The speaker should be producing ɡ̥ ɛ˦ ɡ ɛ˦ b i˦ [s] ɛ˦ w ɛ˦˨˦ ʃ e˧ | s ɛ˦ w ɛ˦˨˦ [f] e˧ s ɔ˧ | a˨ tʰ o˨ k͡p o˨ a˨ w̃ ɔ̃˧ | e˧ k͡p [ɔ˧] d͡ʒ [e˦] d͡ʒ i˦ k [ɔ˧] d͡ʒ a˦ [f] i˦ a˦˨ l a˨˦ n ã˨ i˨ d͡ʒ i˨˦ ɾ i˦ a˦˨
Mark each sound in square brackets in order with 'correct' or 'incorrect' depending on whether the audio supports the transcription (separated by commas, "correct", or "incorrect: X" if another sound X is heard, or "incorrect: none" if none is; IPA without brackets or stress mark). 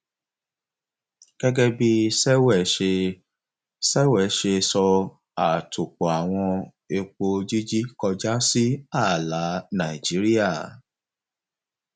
correct, incorrect: ʃ, incorrect: o˧, incorrect: i˦, correct, incorrect: s